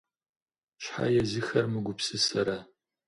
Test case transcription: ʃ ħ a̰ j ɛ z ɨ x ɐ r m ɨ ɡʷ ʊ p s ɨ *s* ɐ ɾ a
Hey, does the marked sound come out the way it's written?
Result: yes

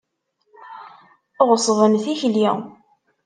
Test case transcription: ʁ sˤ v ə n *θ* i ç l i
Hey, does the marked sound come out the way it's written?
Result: yes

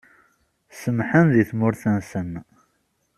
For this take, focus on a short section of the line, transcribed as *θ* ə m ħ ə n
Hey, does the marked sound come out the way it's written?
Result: no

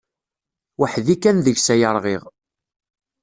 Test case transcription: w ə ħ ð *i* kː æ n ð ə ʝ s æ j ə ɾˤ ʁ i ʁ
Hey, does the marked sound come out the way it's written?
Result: yes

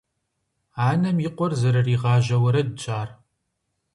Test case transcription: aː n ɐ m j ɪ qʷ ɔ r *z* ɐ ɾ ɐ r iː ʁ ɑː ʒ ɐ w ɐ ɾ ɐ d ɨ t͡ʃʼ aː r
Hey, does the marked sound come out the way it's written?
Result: yes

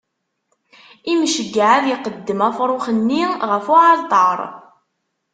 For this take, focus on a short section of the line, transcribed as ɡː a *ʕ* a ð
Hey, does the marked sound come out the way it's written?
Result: yes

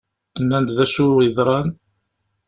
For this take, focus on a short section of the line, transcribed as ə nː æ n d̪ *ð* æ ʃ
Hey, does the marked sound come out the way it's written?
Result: yes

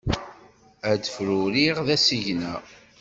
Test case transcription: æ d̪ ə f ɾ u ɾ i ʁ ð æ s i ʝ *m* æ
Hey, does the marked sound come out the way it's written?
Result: no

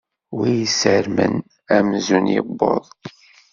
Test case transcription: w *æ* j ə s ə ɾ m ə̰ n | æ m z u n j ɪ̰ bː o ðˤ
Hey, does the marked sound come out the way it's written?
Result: no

